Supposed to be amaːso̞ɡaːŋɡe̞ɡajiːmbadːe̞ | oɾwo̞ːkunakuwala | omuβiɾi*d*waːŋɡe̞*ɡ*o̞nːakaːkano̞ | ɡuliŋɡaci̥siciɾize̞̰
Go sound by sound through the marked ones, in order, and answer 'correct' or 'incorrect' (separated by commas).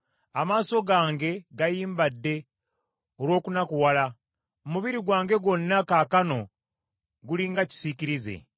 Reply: incorrect, correct